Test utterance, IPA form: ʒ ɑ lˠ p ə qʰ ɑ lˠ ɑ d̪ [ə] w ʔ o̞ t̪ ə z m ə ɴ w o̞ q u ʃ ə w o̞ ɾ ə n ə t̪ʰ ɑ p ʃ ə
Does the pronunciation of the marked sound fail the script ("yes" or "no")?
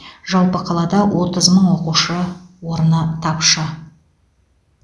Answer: yes